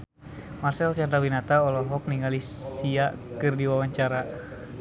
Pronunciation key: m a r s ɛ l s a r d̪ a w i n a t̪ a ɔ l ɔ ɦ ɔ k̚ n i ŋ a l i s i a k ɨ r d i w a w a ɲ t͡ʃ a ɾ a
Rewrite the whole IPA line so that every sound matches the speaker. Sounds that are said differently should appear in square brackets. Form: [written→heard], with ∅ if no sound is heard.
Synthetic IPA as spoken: m a r s ɛ l s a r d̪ a w i n a t̪ a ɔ l ɔ ɦ ɔ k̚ n i ŋ a l i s i a k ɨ r d i w a w a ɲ t͡ʃ a ɾ a